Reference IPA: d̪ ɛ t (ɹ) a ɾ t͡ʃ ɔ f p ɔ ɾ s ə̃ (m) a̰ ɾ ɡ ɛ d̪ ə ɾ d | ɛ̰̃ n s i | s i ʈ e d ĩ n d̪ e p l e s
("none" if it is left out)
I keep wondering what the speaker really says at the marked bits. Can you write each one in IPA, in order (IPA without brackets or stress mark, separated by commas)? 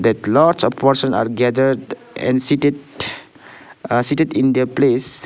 l, n